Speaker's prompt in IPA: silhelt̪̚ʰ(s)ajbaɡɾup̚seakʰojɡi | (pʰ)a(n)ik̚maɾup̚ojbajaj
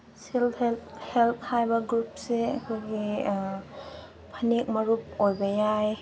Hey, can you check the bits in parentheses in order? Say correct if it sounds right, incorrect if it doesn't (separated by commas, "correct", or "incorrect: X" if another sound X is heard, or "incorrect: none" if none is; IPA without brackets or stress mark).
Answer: incorrect: h, correct, correct